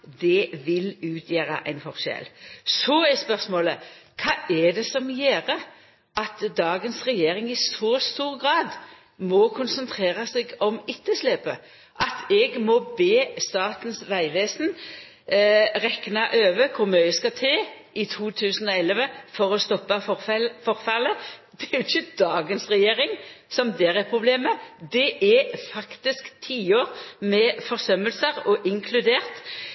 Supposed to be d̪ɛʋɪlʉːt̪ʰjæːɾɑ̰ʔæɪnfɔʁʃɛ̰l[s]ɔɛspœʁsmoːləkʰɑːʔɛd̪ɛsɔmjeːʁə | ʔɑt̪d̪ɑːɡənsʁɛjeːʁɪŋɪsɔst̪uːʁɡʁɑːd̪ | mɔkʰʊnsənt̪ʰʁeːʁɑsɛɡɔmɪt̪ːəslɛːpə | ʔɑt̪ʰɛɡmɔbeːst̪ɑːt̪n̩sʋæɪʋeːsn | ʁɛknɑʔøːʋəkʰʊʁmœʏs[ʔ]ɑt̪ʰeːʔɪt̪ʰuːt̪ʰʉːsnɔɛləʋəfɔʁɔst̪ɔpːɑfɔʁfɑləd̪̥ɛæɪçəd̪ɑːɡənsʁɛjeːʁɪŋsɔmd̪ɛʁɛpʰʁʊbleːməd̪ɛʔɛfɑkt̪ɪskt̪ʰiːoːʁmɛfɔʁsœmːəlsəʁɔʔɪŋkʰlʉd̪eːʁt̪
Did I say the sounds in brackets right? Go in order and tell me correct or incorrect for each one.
correct, incorrect: k

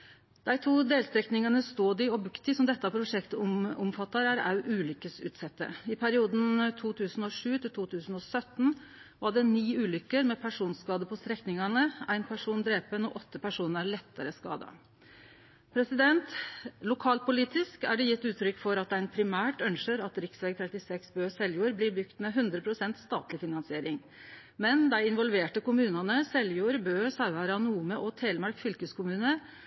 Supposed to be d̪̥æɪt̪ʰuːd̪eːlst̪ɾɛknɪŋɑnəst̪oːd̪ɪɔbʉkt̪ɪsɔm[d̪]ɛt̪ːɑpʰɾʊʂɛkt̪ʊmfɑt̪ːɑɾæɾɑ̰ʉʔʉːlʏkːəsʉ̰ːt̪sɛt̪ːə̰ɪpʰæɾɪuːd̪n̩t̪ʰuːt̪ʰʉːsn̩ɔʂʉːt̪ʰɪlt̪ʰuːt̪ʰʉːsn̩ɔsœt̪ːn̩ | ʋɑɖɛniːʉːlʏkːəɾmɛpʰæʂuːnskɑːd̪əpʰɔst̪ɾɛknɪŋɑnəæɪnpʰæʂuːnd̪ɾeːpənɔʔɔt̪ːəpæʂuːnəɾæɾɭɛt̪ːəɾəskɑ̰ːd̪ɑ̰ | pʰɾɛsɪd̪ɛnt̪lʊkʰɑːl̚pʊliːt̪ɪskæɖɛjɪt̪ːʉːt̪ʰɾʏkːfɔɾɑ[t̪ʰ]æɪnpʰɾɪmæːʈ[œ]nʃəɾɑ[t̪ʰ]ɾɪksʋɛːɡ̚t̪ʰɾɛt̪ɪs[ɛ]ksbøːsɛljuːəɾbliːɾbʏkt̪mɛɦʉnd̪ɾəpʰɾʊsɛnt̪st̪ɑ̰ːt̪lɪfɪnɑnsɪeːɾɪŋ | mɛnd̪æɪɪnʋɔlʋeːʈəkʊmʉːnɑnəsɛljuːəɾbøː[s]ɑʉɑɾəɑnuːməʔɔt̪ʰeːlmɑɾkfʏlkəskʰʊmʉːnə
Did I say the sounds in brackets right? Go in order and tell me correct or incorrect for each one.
correct, incorrect: t̪, correct, incorrect: t̪, correct, correct

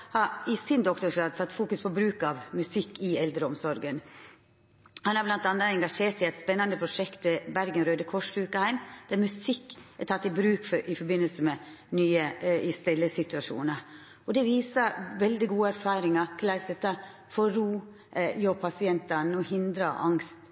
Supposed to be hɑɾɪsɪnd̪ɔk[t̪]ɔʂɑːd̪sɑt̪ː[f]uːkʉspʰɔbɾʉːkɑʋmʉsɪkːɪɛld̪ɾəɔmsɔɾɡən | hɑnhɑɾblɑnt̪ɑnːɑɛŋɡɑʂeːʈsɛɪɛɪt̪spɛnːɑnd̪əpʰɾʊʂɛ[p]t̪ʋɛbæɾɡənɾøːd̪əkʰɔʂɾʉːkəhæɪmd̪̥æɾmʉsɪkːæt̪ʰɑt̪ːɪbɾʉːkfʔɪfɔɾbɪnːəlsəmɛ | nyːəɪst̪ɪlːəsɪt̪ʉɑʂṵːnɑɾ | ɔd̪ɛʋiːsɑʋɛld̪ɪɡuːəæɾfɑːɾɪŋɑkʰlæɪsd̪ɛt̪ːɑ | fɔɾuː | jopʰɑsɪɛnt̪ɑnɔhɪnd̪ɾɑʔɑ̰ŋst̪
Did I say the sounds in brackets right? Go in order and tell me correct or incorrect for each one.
correct, correct, incorrect: k

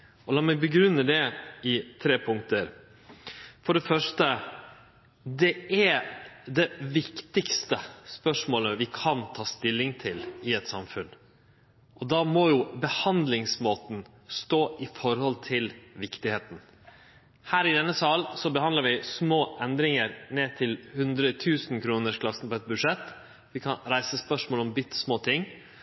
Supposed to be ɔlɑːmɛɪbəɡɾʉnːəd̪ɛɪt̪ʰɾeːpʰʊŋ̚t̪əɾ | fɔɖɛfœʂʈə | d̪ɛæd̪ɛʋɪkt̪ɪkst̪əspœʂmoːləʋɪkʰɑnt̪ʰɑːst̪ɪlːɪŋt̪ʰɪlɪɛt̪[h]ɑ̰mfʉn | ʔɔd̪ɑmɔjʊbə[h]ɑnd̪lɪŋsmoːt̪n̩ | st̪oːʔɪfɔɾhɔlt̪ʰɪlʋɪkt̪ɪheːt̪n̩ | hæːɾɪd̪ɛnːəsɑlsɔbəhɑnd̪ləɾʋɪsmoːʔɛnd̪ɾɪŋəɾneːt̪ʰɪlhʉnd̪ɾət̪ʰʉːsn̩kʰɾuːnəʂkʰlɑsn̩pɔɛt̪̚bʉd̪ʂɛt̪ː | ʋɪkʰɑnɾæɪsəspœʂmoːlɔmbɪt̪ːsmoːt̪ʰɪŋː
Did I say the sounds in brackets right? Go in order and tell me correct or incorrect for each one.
incorrect: s, correct

